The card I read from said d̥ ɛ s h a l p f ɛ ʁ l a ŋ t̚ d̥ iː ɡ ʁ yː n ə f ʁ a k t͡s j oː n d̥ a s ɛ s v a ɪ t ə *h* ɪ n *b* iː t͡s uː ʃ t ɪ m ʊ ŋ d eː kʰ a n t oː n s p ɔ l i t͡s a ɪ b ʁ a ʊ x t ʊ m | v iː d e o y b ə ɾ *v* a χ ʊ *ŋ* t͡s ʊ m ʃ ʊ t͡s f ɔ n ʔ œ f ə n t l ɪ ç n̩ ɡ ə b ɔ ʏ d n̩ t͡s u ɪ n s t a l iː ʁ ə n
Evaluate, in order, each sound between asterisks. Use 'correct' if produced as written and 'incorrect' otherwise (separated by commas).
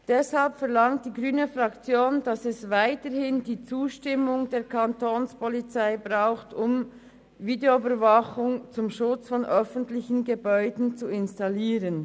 correct, incorrect, correct, correct